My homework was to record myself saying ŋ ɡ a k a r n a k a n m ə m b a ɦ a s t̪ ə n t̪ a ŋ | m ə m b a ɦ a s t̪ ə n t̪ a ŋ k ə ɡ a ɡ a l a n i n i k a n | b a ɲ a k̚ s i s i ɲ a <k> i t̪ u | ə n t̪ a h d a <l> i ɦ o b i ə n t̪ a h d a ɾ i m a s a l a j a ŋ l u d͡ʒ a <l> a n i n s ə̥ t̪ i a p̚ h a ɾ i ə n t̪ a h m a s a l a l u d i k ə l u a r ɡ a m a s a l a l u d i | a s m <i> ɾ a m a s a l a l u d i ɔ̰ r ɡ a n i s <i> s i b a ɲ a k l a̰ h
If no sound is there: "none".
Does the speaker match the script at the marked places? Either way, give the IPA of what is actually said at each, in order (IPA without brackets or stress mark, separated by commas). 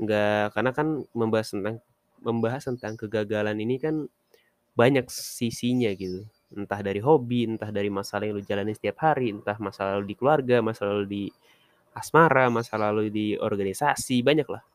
ɡ, ɾ, l, a, a